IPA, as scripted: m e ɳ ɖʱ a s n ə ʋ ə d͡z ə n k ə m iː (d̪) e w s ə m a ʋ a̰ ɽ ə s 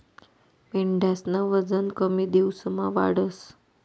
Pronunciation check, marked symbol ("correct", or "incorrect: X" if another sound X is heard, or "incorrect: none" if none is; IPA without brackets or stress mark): correct